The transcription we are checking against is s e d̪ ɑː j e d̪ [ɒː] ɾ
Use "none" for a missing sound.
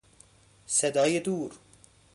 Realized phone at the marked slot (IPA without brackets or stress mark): uː